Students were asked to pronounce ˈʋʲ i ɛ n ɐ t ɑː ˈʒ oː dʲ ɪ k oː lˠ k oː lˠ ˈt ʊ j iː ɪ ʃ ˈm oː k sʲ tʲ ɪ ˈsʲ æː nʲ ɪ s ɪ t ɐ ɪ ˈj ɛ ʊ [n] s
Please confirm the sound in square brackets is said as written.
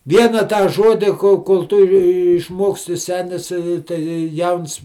yes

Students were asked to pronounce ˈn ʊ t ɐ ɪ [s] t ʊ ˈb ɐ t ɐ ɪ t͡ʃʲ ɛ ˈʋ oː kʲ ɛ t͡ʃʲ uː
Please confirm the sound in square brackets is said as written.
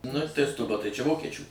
yes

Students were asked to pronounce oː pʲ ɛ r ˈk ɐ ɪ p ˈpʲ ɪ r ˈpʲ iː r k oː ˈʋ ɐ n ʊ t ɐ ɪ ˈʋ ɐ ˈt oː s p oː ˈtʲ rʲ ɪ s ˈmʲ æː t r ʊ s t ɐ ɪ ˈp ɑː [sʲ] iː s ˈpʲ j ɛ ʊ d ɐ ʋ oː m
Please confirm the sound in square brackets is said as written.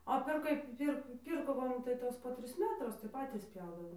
no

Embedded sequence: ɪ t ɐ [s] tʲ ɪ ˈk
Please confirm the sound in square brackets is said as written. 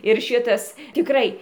yes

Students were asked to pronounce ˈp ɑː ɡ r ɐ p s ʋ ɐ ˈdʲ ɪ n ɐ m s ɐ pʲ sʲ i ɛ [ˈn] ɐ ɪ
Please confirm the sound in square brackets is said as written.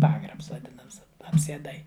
no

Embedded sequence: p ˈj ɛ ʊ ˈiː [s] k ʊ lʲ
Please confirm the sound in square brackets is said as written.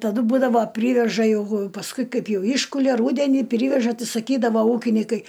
no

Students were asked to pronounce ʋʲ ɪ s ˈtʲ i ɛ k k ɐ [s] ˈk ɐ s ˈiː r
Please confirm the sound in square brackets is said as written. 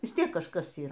no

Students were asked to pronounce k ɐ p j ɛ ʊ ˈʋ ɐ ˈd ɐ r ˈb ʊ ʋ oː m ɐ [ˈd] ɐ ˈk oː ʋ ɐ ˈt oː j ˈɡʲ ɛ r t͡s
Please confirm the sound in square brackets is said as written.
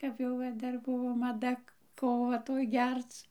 yes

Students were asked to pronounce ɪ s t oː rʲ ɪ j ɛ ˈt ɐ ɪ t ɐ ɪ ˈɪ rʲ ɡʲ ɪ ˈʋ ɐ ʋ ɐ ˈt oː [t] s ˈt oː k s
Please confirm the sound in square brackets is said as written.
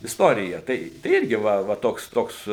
no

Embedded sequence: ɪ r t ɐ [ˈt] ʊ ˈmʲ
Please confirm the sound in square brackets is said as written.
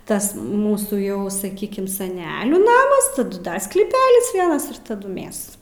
no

